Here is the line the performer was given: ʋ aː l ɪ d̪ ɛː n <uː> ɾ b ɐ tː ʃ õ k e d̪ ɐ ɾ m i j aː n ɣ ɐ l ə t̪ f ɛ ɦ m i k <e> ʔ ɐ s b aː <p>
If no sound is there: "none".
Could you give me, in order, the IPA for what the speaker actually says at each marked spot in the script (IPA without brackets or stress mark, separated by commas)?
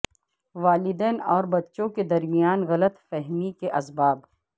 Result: ɔː, e, b